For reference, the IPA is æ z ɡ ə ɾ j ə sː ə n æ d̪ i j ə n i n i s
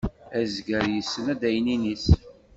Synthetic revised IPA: æ z ɡ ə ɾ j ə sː ə n æ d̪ æ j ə n i n i s